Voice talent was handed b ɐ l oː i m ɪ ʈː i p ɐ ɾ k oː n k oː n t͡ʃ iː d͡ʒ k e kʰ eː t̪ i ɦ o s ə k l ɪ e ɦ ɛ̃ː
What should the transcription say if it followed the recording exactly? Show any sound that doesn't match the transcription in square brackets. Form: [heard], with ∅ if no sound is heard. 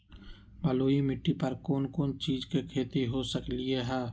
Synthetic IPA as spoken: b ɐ l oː i m ɪ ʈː i p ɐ ɾ k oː n k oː n t͡ʃ iː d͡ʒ k e kʰ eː t̪ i ɦ o s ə k l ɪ e ɦ [ɛː]